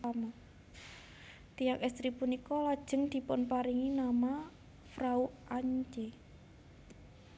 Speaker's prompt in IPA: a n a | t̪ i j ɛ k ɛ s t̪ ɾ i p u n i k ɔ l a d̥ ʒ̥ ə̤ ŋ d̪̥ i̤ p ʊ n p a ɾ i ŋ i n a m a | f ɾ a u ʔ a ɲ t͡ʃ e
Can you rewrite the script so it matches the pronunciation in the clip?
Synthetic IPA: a m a | t̪ i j a k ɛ s t̪ ɾ i p u n i k ɔ l a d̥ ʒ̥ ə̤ ŋ d̪̥ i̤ p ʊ n p a ɾ i ŋ i n a m a | f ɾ a u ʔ a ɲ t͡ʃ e